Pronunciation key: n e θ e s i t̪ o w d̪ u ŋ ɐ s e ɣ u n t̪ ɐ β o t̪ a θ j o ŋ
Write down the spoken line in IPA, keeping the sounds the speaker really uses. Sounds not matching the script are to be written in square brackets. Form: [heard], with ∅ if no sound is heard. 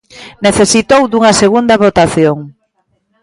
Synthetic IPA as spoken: n e θ e s i t̪ o w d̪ u ŋ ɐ s e ɣ u n [d̪] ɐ β o t̪ a θ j o ŋ